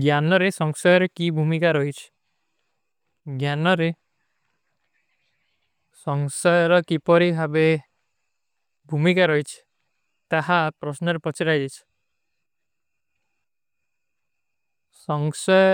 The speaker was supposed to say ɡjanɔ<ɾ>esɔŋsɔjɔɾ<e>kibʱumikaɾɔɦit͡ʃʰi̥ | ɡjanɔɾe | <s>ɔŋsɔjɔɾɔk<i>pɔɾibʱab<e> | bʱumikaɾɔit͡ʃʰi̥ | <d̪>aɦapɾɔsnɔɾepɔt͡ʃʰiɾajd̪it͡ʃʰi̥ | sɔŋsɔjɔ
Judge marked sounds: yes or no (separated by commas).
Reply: yes, yes, yes, yes, yes, no